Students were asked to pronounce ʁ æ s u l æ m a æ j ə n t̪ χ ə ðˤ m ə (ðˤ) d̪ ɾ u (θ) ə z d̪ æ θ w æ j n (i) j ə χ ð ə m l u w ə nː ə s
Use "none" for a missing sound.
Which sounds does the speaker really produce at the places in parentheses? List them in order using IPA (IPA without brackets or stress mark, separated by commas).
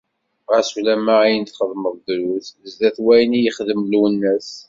ðˤ, θ, i